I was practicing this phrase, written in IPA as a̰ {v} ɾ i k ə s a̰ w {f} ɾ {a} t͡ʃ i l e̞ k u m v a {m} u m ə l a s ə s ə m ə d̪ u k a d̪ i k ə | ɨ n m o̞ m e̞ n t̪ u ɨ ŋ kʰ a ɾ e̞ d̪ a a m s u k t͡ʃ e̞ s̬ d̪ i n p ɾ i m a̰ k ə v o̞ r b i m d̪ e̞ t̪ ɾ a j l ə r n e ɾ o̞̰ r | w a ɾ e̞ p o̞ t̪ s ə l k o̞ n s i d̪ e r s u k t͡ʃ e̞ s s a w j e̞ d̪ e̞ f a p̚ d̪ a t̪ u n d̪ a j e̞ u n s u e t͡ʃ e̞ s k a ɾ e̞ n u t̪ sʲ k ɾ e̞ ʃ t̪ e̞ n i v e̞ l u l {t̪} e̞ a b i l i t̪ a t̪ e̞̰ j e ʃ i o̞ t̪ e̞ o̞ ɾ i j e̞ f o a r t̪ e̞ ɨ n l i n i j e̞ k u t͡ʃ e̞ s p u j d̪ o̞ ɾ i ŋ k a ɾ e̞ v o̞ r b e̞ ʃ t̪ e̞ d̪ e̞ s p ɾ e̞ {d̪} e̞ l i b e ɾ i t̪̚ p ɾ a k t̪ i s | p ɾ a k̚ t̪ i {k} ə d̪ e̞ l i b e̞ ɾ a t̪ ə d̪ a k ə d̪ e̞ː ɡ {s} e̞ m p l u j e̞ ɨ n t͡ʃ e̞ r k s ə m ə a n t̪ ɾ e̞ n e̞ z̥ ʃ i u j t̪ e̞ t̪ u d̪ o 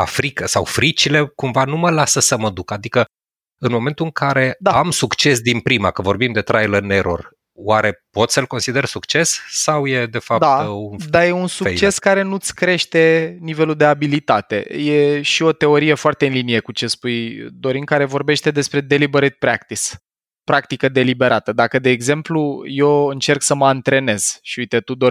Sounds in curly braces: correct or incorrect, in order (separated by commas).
incorrect, correct, incorrect, incorrect, incorrect, correct, correct, incorrect